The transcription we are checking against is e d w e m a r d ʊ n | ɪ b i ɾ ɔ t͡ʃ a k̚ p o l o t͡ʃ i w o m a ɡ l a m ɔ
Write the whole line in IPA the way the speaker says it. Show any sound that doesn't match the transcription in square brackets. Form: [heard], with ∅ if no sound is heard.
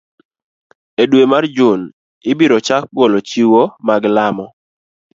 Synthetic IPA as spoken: e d w e m a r [d͡ʒ] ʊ n | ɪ b i ɾ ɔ t͡ʃ a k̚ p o l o t͡ʃ i w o m a ɡ l a m ɔ